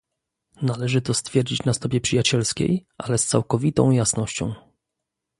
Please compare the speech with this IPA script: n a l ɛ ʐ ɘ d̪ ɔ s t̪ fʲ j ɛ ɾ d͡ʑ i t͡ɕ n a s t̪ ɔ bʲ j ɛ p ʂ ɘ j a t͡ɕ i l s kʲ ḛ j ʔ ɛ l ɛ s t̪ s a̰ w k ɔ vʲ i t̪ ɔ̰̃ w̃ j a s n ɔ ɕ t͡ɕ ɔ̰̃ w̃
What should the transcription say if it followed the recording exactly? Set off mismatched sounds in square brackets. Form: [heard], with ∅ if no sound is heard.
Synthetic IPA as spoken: n a l ɛ ʐ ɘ [t̪] ɔ s t̪ fʲ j ɛ ɾ d͡ʑ i t͡ɕ n a s t̪ ɔ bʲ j ɛ p ʂ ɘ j a t͡ɕ [ɛ] l s kʲ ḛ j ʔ [a] l ɛ s t̪ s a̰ w k ɔ vʲ i t̪ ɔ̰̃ w̃ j a s n ɔ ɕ t͡ɕ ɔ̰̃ w̃